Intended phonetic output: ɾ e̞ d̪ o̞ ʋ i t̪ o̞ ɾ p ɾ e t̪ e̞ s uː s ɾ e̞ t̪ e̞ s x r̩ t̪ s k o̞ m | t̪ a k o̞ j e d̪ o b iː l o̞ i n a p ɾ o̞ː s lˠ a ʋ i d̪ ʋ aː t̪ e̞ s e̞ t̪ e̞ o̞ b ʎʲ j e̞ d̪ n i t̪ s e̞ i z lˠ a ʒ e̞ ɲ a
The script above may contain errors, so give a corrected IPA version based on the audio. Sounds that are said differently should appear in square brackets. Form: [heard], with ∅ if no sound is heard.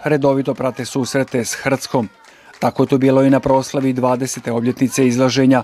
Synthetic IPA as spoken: ɾ e̞ d̪ o̞ ʋ i t̪ o̞ [∅] p ɾ [a] t̪ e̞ s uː s ɾ e̞ t̪ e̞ s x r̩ t̪ s k o̞ m | t̪ a k o̞ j e [t̪] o b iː l o̞ i n a p ɾ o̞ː s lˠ a ʋ i d̪ ʋ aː [d̪] e̞ s e̞ t̪ e̞ o̞ b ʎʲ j e̞ [t̪] n i t̪ s e̞ i z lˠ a ʒ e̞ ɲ a